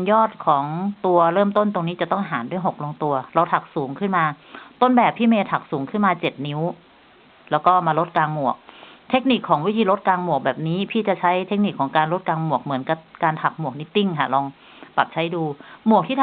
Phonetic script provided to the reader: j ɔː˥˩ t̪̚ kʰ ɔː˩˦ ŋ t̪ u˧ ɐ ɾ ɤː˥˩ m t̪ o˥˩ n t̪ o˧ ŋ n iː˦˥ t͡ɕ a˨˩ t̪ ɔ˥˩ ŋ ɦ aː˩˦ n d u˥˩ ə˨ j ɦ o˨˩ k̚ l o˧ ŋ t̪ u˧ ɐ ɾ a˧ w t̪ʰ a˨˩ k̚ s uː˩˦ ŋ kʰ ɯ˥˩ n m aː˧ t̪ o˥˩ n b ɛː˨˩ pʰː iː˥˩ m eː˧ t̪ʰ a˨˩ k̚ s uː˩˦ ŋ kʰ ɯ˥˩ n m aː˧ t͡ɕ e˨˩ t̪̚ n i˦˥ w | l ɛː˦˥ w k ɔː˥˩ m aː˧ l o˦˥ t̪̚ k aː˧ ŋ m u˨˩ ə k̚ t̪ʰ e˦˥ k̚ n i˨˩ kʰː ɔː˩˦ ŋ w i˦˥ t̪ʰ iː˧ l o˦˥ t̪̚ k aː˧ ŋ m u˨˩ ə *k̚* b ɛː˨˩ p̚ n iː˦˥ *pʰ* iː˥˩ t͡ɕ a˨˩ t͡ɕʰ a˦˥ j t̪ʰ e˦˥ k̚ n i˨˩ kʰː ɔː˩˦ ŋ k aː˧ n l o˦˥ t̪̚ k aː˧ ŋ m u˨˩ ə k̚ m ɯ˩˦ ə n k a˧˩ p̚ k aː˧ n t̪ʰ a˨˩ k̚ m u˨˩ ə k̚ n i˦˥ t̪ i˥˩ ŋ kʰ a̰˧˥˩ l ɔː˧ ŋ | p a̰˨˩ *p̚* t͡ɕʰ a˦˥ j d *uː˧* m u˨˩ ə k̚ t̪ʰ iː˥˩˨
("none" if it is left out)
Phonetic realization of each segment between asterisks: k̚, pʰ, p̚, uː˧

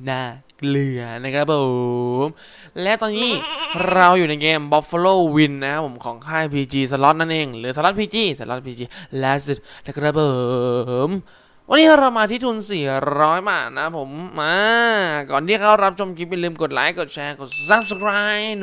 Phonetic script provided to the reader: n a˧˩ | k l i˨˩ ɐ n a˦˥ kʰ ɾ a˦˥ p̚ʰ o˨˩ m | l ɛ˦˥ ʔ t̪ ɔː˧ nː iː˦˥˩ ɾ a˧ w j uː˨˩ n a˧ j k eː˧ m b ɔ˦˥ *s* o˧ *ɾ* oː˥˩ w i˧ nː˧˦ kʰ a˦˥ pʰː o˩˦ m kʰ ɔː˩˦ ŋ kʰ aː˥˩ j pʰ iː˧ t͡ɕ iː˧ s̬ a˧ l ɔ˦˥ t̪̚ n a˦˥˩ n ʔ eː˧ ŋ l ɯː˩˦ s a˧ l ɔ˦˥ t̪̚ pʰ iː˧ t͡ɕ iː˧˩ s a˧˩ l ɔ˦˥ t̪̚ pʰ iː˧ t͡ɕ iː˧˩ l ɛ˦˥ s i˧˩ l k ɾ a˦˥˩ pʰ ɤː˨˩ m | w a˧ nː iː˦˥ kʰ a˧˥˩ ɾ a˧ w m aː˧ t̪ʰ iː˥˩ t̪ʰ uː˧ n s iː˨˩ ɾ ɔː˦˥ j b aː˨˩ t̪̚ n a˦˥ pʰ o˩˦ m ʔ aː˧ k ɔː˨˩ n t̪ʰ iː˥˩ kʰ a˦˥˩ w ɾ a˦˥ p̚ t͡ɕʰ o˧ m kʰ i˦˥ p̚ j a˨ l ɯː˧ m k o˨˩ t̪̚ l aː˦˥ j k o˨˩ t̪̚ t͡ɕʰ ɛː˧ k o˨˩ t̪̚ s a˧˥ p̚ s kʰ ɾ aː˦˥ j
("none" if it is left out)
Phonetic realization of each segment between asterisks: f, l

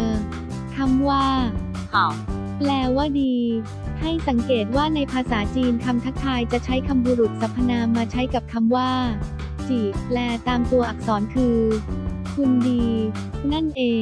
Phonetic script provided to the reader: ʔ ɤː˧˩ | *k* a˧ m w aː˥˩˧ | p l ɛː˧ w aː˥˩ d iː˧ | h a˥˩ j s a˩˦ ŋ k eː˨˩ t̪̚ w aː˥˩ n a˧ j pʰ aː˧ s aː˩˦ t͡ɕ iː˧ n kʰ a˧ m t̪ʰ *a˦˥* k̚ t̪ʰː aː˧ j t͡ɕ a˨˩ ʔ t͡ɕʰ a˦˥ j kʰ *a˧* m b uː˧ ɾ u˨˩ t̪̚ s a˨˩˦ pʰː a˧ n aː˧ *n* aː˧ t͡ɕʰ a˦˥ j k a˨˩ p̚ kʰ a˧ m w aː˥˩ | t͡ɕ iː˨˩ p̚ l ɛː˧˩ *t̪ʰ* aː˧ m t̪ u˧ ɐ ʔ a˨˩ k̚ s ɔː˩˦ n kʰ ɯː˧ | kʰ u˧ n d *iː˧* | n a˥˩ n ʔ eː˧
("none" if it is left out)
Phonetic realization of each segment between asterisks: kʰ, a˦˥, a˧, m, t̪, iː˧

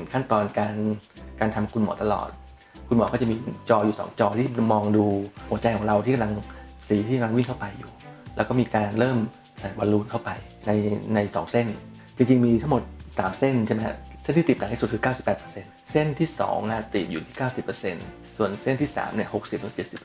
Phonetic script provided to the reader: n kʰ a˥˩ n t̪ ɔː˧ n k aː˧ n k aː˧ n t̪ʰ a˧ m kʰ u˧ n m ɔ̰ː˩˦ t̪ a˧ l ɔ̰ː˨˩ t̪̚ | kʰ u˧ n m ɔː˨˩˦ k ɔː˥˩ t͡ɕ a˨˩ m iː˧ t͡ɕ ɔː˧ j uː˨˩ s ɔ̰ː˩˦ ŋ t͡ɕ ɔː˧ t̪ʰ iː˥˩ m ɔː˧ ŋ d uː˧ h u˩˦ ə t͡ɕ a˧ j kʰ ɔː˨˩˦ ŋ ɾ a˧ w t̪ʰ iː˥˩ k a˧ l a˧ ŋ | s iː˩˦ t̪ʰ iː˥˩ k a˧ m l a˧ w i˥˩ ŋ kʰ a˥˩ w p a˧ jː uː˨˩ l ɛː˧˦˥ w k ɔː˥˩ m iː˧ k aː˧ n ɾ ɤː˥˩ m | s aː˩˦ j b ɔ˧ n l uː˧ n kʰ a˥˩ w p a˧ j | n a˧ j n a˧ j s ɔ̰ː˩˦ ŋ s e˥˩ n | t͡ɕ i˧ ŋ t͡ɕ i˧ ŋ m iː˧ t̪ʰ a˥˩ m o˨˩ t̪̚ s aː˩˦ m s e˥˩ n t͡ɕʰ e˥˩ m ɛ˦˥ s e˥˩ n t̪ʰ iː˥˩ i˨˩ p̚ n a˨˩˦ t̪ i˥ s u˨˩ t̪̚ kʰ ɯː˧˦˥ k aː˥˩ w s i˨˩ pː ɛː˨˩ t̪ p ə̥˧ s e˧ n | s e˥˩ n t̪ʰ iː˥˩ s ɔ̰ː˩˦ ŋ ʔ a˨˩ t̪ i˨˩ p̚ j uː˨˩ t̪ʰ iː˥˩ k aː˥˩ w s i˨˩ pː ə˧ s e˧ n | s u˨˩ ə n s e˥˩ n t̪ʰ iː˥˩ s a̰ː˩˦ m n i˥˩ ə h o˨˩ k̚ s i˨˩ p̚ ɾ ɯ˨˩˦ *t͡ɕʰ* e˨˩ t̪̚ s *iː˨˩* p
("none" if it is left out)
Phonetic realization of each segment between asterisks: t͡ɕ, i˨˩

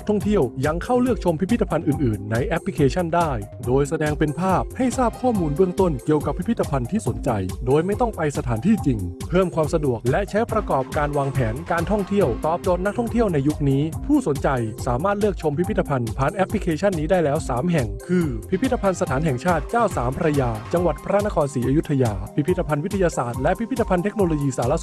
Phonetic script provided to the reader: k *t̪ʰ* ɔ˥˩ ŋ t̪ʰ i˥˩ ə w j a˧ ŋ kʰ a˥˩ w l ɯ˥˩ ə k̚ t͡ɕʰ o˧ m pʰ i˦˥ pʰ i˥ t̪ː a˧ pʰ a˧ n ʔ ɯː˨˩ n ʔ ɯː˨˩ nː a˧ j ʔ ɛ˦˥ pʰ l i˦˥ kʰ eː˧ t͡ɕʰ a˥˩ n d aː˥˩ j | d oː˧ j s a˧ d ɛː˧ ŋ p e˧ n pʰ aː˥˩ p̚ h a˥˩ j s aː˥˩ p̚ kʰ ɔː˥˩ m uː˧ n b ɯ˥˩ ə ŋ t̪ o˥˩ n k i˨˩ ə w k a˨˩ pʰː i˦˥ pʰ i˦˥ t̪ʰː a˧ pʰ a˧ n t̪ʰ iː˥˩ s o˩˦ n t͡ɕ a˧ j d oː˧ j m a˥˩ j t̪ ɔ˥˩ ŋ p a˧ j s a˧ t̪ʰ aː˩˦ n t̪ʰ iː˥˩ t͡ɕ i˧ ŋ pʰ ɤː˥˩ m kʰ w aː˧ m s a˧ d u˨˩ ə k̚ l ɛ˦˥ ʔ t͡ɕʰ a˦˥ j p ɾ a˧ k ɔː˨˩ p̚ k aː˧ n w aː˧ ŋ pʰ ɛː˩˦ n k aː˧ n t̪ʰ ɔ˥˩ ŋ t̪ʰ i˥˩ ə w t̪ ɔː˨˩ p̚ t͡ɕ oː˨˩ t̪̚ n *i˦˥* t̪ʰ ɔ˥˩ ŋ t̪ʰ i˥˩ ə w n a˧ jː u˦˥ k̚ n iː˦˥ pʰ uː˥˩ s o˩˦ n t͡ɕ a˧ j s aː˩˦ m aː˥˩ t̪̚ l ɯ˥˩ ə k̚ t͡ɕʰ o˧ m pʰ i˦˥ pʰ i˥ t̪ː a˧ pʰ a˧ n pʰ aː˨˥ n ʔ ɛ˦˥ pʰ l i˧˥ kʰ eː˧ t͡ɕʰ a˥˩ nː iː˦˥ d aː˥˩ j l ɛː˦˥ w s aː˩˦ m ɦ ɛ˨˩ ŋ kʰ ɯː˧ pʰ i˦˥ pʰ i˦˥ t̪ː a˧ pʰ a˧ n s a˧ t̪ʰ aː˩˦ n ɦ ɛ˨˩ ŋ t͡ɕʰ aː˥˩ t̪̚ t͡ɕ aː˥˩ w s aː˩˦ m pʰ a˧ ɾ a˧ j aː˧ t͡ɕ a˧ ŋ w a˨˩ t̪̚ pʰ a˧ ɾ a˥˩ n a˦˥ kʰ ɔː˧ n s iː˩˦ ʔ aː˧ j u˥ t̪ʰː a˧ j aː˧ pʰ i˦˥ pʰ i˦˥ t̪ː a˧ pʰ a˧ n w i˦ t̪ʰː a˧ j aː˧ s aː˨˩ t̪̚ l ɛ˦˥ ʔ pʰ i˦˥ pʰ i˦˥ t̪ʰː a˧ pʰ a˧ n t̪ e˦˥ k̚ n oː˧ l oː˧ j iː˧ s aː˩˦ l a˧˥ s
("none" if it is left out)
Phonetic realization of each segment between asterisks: t̪ʰ, a˦˥

